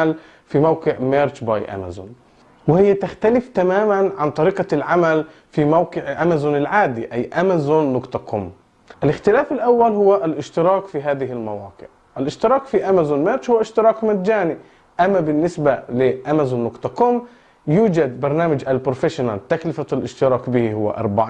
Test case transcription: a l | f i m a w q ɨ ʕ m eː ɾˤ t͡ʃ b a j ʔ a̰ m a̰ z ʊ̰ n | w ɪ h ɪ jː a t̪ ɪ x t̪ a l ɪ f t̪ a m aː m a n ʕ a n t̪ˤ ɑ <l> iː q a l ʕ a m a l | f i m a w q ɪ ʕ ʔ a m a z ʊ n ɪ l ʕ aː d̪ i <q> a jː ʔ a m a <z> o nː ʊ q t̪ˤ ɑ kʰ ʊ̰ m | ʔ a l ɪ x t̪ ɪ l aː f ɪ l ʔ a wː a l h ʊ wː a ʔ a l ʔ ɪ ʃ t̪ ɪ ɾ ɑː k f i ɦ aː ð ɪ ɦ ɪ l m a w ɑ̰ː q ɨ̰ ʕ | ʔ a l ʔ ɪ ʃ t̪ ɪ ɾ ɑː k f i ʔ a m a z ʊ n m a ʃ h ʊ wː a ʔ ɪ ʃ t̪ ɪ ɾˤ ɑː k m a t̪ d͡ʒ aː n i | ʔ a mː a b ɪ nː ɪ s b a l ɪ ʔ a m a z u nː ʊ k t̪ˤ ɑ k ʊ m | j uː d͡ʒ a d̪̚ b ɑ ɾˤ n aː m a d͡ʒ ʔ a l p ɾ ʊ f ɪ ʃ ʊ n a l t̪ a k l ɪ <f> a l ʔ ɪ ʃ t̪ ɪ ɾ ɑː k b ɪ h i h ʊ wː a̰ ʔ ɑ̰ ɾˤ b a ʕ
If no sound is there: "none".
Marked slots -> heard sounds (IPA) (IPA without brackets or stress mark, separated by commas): ɾ, ʔ, z, f